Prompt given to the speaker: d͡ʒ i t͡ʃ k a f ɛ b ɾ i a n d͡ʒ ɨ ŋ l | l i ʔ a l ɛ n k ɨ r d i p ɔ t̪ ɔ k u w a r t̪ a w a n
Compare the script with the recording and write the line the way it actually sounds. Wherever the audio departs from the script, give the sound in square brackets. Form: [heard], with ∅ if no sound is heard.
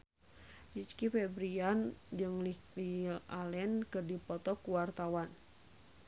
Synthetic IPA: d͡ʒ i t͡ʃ k [i] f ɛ b ɾ i a n d͡ʒ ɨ ŋ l | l i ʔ a l ɛ n k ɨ r d i p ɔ t̪ ɔ k u w a r t̪ a w a n